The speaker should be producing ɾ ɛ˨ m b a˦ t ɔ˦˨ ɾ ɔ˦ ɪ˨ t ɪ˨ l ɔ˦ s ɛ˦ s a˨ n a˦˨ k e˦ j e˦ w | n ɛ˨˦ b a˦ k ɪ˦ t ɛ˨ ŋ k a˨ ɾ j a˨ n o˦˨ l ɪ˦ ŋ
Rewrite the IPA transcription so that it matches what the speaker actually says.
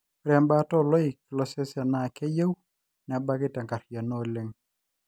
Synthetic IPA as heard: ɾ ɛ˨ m b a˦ t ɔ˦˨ l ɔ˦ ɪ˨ k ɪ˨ l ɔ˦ s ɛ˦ s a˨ n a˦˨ k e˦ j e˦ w | n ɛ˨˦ b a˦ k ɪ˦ t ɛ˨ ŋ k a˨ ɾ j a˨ n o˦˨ l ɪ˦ ŋ